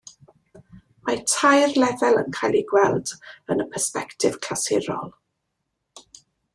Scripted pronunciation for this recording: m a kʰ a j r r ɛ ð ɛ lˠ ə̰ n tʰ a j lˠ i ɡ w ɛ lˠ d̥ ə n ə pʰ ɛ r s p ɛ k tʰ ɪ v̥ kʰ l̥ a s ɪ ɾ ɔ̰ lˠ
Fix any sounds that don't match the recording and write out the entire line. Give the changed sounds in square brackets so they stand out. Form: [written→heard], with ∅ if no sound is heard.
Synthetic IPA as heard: m a [kʰ→tʰ] a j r [r→l] ɛ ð ɛ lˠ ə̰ n [tʰ→kʰ] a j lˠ i ɡ w ɛ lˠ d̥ ə n ə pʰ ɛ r s p ɛ k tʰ ɪ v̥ kʰ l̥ a s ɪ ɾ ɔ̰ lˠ